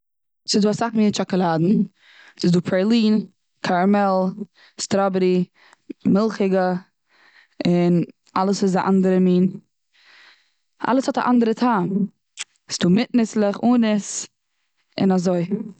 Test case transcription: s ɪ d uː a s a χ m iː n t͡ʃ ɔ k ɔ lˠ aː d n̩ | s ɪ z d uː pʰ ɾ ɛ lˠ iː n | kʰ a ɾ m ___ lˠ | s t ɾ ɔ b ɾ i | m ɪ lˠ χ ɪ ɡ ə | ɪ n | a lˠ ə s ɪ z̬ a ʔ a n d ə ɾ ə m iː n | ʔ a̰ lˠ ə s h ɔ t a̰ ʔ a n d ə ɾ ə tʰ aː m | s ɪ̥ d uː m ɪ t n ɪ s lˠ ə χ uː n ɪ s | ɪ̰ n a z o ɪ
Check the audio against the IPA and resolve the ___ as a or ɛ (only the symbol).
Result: ɛ